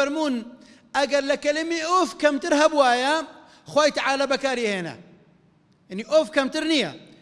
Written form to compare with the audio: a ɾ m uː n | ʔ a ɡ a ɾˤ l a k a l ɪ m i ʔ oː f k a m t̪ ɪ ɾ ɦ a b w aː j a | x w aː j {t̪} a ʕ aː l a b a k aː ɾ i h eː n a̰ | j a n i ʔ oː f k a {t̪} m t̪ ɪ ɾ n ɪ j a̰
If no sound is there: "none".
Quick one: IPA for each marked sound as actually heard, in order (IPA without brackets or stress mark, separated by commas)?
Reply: t̪, none